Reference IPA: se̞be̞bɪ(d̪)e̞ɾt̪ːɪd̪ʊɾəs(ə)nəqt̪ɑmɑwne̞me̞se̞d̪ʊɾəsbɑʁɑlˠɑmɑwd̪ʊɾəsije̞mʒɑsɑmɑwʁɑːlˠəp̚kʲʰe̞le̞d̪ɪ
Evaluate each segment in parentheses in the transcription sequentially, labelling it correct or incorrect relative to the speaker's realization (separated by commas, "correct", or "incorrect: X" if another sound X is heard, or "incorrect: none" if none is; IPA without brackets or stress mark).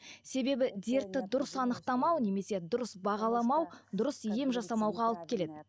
correct, incorrect: ɑ